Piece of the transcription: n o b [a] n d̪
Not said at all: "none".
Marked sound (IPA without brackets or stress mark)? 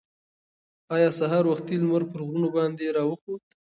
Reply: ɑ